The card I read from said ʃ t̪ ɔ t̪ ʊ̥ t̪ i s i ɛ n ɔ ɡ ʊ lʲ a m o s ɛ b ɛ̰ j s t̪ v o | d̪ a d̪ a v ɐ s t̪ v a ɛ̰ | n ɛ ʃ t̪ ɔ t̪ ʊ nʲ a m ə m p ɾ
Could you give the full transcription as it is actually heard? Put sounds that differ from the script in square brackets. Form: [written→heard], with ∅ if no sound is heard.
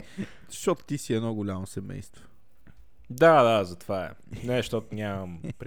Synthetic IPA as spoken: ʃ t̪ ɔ t̪ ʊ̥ t̪ i s i ɛ n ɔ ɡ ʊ lʲ a m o s ɛ [b→m] ɛ̰ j s t̪ v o | d̪ a d̪ a [v→z] ɐ [s→∅] t̪ v a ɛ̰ | n ɛ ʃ t̪ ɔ t̪ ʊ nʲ a m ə m p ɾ